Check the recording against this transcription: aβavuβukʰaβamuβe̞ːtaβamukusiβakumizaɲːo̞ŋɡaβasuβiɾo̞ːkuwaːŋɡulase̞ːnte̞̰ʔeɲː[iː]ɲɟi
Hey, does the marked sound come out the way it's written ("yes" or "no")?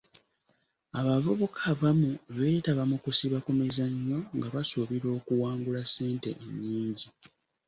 yes